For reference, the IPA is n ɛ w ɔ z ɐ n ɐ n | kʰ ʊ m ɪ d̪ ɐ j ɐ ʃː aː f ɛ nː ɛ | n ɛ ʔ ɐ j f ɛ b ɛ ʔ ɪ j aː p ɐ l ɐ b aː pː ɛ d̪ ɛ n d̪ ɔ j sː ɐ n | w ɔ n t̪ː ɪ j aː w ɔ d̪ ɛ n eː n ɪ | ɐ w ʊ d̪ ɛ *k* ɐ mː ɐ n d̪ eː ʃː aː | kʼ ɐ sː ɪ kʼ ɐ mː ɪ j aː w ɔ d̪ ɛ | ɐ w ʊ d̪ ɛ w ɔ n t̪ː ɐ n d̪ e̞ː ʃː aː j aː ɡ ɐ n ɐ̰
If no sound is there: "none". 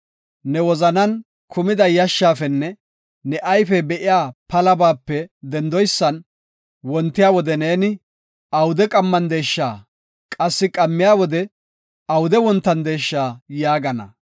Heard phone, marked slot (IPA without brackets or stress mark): kʼ